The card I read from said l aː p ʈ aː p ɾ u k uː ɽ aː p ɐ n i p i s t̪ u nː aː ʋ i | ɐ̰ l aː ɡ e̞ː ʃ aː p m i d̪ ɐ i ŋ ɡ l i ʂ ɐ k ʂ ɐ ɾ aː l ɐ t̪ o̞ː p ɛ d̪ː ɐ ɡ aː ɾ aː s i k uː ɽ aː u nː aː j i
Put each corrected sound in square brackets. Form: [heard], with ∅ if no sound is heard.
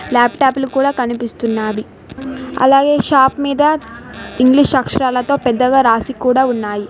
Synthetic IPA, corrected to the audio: l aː p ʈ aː p [l] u k uː ɽ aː [k] ɐ n i p i s t̪ u nː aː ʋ i | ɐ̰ l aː ɡ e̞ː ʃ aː p m [iː] d̪ ɐ i ŋ ɡ l i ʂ ɐ k ʂ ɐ ɾ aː l ɐ t̪ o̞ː p ɛ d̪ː ɐ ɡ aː ɾ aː s i k uː ɽ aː u nː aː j i